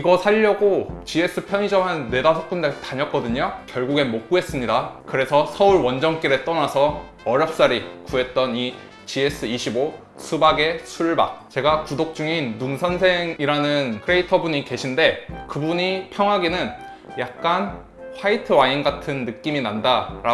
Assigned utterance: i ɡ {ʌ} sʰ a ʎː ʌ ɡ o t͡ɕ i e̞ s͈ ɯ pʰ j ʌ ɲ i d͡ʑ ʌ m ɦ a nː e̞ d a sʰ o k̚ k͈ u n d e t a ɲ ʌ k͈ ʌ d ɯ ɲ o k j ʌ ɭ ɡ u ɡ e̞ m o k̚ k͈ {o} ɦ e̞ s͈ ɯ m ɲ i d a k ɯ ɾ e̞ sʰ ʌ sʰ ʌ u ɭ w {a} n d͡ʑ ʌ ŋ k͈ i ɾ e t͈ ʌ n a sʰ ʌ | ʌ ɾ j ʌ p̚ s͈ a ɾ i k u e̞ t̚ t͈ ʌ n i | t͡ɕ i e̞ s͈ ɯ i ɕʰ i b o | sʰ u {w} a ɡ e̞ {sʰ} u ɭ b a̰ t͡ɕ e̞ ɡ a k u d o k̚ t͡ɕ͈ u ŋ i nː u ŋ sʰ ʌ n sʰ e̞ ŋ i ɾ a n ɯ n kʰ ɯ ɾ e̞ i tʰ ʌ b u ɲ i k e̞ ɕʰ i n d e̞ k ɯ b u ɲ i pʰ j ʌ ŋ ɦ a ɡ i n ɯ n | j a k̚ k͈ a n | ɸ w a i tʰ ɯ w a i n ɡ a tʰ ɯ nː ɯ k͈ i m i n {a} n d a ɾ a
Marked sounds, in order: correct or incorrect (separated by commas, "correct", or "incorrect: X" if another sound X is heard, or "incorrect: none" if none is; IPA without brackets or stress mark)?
correct, incorrect: u, incorrect: ʌ, incorrect: b, correct, correct